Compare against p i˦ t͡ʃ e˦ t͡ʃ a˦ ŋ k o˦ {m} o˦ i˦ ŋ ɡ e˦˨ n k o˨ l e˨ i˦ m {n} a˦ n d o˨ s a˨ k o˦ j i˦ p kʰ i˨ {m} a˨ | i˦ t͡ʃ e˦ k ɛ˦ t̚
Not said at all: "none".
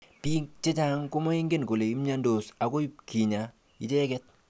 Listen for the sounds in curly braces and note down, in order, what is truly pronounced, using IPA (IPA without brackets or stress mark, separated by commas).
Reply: m, ɲ, ɲ